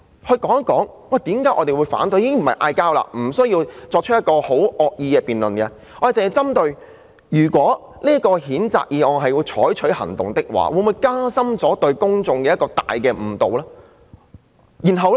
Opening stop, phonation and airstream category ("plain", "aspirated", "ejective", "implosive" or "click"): plain